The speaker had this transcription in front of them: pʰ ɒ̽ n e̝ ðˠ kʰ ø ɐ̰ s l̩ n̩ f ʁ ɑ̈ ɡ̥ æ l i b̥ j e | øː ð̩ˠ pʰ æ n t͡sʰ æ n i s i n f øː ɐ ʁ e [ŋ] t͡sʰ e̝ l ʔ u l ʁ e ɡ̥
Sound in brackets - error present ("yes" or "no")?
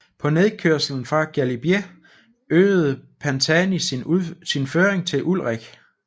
no